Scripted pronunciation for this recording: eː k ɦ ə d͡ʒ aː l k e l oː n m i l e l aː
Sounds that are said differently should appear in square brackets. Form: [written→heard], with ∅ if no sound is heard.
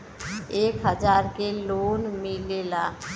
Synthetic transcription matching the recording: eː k ɦ ə d͡ʒ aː [l→ɾ] k e l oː n m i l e l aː